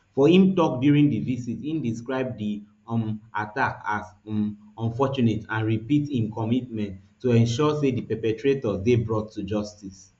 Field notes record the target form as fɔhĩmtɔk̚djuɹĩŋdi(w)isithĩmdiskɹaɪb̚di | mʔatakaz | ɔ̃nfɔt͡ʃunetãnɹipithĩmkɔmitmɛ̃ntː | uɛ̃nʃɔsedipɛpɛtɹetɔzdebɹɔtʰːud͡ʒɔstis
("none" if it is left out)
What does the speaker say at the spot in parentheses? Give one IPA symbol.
v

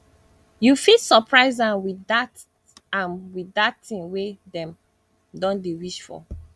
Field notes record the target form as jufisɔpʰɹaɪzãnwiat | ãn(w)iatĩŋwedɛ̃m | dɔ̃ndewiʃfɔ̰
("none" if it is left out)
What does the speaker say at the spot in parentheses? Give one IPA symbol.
w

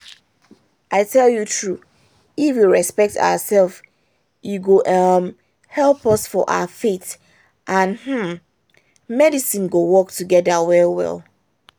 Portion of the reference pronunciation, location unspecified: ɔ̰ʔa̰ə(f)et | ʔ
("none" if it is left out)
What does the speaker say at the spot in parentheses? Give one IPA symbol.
f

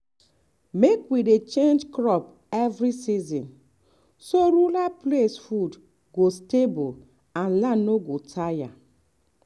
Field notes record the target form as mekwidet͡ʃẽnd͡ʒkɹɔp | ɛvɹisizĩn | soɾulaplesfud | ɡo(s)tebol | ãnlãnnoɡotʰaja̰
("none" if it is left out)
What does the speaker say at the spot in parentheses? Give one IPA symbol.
s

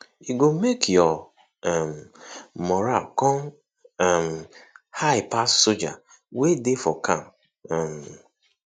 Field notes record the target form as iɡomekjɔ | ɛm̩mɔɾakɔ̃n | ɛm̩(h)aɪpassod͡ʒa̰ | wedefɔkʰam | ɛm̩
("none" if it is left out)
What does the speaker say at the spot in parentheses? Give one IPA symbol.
h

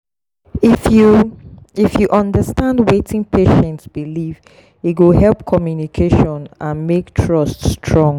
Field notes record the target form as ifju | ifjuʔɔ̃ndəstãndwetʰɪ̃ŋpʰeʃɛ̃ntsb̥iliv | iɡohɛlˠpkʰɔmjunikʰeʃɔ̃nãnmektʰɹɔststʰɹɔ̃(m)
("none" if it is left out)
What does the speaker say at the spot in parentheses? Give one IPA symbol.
ŋ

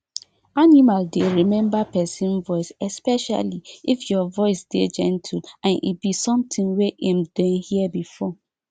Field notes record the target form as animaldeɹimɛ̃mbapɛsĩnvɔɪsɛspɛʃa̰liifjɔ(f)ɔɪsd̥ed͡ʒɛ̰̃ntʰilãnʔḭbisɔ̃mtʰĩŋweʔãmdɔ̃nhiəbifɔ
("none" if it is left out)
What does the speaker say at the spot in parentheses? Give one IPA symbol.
v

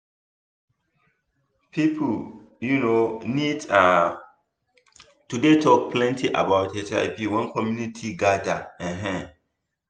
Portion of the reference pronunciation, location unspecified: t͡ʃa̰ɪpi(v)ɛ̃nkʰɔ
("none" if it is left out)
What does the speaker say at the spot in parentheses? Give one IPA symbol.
w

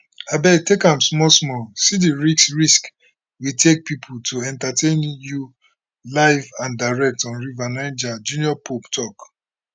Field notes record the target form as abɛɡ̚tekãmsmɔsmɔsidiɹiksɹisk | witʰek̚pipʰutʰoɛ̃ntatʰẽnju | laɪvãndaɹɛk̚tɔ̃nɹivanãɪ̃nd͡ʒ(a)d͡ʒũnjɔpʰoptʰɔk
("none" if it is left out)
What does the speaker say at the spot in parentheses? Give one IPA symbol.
a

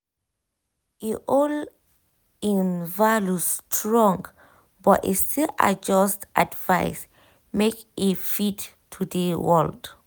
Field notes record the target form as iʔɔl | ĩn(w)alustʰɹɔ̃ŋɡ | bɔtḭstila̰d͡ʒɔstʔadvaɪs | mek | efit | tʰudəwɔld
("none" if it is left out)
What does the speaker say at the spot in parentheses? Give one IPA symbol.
v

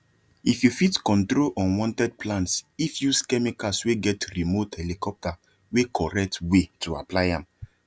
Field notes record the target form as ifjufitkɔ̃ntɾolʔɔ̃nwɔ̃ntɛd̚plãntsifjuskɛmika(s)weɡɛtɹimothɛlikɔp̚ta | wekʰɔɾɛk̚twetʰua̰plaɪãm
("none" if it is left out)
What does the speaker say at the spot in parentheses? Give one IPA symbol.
s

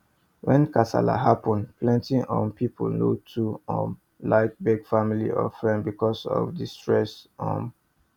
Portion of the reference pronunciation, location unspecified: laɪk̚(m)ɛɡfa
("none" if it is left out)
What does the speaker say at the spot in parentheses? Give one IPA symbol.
b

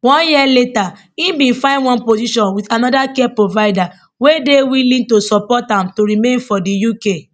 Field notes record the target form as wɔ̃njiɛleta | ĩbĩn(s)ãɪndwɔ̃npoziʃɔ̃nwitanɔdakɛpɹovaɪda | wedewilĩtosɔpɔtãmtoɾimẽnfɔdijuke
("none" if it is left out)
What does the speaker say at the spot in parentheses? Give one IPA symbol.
f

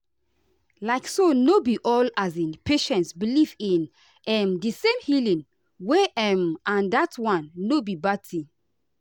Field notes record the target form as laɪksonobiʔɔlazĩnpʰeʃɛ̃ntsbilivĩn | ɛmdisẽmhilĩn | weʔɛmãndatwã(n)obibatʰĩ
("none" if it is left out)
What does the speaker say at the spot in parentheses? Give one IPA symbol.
nː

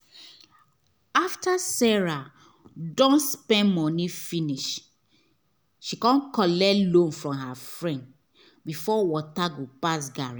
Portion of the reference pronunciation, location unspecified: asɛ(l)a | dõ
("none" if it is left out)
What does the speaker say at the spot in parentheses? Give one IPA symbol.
ɹ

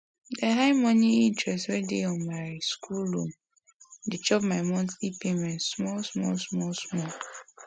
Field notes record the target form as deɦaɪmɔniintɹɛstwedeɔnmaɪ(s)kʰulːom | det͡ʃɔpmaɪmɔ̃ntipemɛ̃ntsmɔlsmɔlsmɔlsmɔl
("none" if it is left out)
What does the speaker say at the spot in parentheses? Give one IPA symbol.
s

